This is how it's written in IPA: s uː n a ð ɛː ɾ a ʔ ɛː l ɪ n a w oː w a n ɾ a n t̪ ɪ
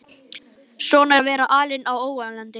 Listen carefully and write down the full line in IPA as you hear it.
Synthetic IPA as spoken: s ɔː n a v ɛː ɾ a ʔ aː l ɪ n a w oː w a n l a n t̪ ɪ